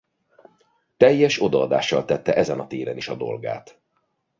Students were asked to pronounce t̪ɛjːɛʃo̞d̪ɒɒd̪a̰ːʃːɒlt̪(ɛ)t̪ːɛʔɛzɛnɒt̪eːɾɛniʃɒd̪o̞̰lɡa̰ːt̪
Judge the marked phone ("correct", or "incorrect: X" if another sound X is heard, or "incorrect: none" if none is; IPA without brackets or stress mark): correct